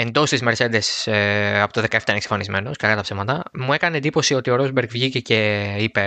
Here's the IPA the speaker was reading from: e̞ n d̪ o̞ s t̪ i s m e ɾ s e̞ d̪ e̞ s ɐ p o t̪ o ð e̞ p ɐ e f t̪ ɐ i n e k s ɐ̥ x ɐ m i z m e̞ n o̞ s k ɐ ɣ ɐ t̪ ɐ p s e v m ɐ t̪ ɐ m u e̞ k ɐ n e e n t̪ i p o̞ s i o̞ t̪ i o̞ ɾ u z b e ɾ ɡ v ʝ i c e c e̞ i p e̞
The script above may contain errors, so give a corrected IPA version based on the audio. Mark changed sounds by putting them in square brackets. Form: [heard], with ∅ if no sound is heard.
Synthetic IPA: e̞ n d̪ o̞ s t̪ i [z] m e ɾ s e̞ d̪ e̞ s ɐ p o t̪ o ð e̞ [k] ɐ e f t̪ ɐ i n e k s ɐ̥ [f] ɐ [n] i z m e̞ n o̞ s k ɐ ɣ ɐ t̪ ɐ p s e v m ɐ t̪ ɐ m u e̞ k ɐ n e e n [d̪] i p o̞ s i o̞ t̪ i o̞ ɾ [o] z b e ɾ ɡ v ʝ i c e c e̞ i p e̞